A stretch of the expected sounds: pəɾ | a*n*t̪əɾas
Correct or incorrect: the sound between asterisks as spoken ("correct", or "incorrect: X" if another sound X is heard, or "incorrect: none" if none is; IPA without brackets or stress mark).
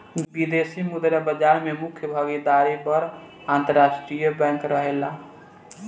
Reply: correct